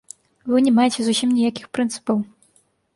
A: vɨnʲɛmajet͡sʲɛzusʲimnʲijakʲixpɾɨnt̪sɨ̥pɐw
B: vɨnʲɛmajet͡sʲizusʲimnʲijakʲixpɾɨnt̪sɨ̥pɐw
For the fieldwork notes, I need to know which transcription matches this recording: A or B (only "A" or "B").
A